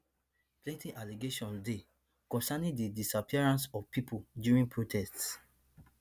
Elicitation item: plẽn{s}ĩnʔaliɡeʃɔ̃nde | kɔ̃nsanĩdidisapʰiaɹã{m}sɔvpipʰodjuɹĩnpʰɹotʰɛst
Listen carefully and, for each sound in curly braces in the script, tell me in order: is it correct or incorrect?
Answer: incorrect: t, incorrect: n

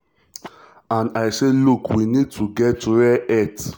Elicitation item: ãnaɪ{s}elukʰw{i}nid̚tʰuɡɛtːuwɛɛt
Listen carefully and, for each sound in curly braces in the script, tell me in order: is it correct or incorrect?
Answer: correct, correct

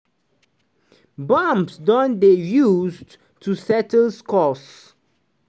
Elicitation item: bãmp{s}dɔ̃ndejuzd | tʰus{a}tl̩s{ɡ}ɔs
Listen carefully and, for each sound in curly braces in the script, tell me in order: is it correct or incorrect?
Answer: correct, incorrect: ɛ, incorrect: k

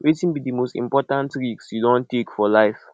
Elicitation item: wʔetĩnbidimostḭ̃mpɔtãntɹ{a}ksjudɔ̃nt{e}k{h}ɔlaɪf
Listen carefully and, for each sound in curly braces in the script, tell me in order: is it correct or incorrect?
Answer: incorrect: i, correct, incorrect: f

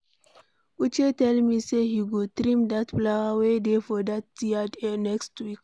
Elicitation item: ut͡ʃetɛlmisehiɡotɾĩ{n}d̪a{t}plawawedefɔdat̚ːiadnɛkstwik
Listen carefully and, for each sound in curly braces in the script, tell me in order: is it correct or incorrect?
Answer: incorrect: m, correct

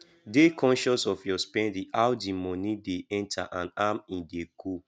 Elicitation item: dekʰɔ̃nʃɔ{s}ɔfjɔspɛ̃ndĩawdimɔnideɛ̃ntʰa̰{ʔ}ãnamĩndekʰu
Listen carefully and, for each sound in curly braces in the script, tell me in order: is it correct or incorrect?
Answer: correct, correct

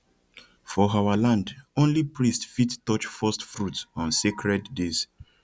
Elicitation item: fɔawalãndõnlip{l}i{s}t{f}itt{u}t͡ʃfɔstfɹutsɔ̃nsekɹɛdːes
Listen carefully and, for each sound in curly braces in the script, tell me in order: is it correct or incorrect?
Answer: incorrect: ɹ, correct, correct, incorrect: ɔ

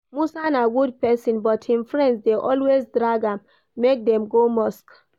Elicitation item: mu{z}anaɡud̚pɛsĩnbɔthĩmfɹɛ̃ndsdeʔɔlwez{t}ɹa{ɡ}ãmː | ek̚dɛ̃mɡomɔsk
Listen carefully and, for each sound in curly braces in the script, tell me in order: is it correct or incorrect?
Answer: incorrect: s, incorrect: d, correct

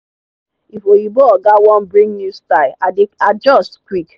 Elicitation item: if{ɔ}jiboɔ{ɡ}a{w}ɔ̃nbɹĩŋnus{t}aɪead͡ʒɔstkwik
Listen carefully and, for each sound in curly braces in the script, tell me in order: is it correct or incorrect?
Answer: incorrect: o, correct, correct, correct

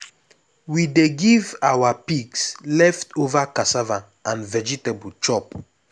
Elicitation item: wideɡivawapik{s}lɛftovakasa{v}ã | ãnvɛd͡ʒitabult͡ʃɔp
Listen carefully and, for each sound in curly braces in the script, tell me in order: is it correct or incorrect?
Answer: correct, correct

